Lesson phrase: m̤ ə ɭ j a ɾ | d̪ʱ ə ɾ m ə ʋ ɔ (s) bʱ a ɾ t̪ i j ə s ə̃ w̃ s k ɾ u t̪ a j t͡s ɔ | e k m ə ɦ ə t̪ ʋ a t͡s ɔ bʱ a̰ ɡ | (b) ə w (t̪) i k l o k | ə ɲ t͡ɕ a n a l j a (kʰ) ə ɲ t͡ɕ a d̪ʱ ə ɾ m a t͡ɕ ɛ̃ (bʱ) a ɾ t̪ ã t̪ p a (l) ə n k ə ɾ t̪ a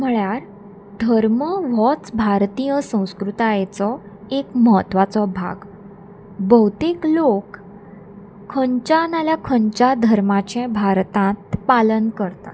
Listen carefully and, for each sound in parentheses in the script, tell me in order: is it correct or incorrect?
incorrect: t͡s, correct, correct, correct, correct, correct

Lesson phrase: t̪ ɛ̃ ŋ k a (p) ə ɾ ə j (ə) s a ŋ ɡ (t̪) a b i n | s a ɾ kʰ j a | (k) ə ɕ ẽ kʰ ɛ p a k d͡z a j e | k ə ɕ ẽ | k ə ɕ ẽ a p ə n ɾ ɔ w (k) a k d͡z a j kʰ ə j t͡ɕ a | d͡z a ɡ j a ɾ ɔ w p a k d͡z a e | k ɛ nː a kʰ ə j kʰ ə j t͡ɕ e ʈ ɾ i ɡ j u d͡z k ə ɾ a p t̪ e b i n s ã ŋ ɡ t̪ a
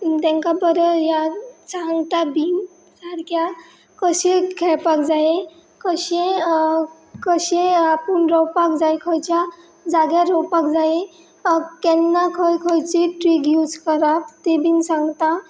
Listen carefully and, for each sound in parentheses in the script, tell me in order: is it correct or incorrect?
incorrect: b, incorrect: a, correct, correct, incorrect: p

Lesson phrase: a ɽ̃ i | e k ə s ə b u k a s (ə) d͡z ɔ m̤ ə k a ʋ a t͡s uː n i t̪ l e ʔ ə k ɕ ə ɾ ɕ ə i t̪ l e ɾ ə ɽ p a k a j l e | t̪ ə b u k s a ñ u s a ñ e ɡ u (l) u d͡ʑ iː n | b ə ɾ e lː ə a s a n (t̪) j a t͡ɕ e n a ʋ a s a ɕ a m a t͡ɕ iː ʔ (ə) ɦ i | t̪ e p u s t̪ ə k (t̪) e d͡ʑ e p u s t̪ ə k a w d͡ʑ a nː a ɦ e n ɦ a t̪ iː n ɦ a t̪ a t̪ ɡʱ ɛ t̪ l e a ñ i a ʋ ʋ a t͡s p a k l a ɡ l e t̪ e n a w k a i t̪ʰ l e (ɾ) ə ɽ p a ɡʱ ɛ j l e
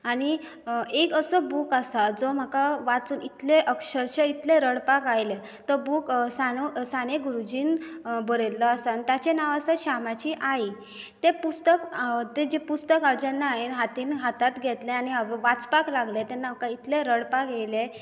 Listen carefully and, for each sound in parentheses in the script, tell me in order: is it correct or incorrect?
incorrect: a, incorrect: ɾ, correct, incorrect: a, correct, correct

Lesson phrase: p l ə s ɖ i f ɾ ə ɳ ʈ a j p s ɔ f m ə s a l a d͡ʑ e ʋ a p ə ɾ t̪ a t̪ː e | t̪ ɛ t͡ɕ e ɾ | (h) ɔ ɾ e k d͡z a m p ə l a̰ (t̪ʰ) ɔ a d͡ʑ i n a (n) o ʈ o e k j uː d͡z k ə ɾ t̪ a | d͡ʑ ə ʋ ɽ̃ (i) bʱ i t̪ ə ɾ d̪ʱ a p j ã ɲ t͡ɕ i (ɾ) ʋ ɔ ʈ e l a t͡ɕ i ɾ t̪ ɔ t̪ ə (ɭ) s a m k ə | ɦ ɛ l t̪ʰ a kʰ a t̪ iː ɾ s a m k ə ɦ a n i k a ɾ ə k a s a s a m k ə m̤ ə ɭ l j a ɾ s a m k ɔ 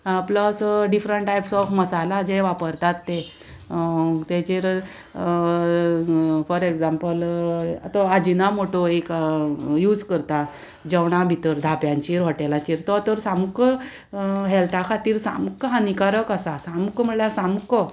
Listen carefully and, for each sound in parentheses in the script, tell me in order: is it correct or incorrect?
incorrect: f, incorrect: t̪, incorrect: m, incorrect: a, correct, incorrect: ɾ

